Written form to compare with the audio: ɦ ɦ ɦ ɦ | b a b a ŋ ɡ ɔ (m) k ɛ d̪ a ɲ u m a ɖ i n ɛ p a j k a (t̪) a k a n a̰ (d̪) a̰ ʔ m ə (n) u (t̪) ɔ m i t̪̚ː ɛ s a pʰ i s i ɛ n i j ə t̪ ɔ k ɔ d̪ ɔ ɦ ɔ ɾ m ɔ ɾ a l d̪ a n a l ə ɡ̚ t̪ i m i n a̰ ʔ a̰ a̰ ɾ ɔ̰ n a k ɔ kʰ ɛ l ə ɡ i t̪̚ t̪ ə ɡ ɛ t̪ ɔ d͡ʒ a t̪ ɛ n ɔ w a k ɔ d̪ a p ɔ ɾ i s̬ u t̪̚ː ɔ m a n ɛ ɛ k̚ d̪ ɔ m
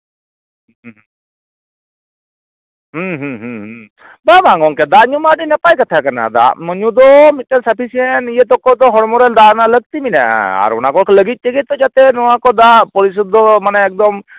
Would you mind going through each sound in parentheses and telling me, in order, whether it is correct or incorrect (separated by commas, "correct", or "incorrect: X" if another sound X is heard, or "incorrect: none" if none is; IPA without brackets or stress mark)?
incorrect: ŋ, incorrect: t̪ʰ, correct, incorrect: ɲ, incorrect: d̪